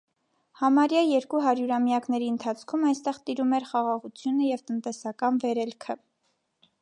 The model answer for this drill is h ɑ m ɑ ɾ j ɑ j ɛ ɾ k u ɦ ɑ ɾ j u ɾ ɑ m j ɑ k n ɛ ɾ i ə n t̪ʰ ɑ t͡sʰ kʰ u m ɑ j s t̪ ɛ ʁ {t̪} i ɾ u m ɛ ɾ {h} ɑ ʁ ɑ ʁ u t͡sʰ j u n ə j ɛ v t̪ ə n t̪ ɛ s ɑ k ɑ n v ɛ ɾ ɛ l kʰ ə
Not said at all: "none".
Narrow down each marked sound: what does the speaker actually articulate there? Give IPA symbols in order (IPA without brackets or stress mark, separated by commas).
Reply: t̪, χ